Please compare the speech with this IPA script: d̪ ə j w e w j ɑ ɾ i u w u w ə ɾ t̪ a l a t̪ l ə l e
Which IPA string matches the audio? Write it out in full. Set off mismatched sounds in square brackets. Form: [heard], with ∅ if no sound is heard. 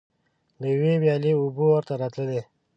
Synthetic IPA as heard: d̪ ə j w e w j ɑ [l] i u [b] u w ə ɾ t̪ a [ɾ] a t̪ l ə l e